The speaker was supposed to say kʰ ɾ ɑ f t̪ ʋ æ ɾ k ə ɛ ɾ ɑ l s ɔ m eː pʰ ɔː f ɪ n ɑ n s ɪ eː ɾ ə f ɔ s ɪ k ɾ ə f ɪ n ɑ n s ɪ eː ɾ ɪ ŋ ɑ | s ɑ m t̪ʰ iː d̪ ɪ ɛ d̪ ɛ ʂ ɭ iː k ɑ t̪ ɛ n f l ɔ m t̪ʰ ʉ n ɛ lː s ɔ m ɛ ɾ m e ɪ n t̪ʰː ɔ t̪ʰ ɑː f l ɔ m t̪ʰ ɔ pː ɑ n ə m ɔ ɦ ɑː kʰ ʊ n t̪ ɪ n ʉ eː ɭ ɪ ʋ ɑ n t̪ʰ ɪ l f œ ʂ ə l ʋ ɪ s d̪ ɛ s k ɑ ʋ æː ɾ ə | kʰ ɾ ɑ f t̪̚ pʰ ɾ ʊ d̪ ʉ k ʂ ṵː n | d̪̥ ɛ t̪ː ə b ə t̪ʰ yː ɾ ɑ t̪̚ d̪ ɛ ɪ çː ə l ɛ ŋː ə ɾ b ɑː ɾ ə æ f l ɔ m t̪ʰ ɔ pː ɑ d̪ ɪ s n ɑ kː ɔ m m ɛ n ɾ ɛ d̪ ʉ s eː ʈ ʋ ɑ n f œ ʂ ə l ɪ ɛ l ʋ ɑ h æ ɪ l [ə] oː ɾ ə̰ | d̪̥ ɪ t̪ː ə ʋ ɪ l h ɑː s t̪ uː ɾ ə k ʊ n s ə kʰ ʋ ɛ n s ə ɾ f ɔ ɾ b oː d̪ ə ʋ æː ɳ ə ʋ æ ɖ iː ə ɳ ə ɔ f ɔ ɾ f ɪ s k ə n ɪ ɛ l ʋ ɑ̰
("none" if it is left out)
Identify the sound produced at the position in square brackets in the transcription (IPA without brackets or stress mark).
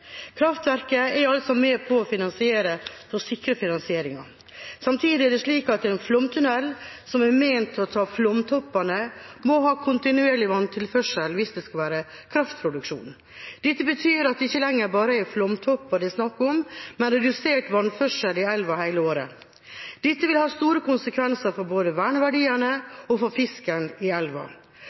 ə